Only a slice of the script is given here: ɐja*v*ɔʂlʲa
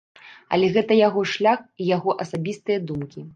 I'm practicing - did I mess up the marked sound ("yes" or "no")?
yes